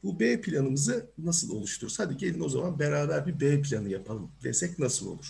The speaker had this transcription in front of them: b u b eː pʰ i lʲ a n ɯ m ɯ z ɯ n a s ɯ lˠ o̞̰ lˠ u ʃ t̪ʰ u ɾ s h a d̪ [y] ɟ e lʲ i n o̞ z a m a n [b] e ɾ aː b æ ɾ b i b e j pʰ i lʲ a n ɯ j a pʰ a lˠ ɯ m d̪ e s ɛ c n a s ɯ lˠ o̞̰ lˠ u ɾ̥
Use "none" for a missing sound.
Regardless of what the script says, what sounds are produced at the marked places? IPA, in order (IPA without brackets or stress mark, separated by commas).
i, b